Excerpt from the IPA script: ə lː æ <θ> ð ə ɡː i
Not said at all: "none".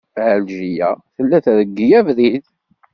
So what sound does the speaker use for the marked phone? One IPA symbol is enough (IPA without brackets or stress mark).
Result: θ